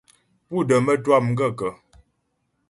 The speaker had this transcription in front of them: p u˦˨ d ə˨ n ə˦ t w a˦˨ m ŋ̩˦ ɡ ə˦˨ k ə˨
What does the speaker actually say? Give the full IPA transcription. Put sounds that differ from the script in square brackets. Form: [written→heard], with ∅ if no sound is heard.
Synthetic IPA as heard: p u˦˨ d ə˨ [n→m] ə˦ t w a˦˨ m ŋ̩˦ ɡ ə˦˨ k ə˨